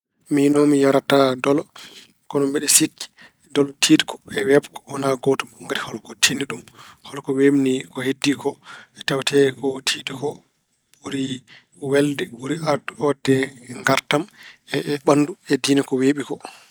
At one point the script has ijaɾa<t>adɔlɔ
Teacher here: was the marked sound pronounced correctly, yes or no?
yes